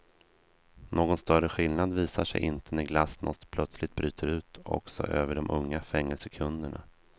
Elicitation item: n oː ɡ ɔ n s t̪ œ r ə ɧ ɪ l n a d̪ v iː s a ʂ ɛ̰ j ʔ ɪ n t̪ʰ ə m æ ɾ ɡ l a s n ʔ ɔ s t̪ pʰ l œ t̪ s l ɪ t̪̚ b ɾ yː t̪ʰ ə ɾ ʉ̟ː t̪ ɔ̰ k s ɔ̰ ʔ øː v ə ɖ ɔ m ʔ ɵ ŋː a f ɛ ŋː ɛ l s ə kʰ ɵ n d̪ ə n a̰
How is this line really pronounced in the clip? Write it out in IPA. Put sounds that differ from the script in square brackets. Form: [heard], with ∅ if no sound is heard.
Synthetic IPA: n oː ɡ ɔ n s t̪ œ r ə ɧ ɪ l n a d̪ v iː s a ʂ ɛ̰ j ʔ ɪ n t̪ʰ ə [n] æ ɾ ɡ l a s n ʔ ɔ s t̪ pʰ l œ t̪ s l ɪ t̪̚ b ɾ yː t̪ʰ ə ɾ ʉ̟ː t̪ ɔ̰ k s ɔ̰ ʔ øː v ə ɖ ɔ m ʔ ɵ ŋː a f ɛ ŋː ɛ l s ə kʰ ɵ n d̪ ə [ɳ] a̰